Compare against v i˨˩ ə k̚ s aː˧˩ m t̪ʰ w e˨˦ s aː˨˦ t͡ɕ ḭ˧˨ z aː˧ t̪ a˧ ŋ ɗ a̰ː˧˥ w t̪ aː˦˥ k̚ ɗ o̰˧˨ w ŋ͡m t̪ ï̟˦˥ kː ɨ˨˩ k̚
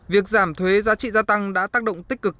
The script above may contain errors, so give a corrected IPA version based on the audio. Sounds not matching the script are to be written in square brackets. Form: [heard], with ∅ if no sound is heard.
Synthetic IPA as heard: v i˨˩ ə k̚ [z] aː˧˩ m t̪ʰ w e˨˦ [z] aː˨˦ t͡ɕ ḭ˧˨ z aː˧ t̪ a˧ ŋ ɗ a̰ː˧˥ [∅] t̪ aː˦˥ k̚ ɗ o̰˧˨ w ŋ͡m t̪ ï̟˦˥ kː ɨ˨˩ k̚